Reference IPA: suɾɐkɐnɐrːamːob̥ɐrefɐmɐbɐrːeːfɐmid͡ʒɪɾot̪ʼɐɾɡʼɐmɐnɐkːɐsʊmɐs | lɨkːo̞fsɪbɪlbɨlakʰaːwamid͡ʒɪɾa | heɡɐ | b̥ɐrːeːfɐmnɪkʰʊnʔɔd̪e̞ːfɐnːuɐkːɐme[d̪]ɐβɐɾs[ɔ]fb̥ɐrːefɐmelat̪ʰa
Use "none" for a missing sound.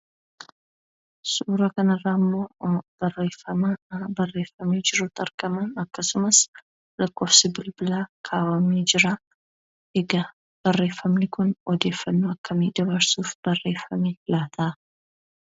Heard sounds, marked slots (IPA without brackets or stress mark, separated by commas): d̪, u